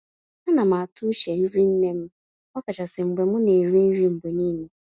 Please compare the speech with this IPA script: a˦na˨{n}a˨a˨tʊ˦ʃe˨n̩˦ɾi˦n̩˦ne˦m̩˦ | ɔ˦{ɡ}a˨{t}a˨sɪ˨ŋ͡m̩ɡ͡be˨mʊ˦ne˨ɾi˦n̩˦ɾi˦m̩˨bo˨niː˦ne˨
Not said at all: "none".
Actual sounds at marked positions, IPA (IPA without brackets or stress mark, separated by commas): m, k, t͡ʃ